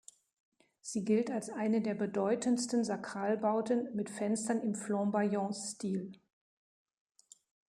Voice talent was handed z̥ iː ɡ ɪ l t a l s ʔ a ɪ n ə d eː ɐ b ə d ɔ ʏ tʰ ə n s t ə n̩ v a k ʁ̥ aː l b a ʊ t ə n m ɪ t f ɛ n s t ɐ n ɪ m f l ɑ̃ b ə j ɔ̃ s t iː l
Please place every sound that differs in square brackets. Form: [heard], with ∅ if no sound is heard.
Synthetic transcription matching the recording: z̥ iː ɡ ɪ l t a l s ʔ a ɪ n ə d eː ɐ b ə d ɔ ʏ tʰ ə n s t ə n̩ [z] a k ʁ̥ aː l b a ʊ t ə n m ɪ t f ɛ n s t ɐ n ɪ m f l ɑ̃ b [a] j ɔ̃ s t iː l